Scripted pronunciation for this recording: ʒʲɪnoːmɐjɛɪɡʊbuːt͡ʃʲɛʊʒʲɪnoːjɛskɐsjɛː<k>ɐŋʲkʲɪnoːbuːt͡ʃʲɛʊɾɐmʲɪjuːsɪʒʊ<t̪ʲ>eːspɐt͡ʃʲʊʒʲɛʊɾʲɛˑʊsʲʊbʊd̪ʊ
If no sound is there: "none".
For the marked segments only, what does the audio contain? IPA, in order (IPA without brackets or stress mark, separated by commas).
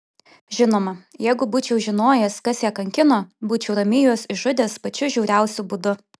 k, d̪ʲ